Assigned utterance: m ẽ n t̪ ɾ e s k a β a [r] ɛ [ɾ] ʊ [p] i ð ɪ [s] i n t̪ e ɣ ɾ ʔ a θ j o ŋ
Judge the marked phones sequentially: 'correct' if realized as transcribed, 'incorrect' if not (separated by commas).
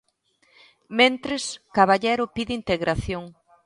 incorrect, correct, correct, incorrect